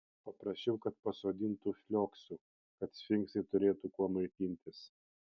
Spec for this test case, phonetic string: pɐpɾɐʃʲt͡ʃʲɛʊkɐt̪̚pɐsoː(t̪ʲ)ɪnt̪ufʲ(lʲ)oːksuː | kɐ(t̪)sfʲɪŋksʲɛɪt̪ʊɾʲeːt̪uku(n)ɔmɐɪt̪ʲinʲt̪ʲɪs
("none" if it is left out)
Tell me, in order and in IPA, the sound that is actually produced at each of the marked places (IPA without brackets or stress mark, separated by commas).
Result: d̪ʲ, lʲ, t̪, none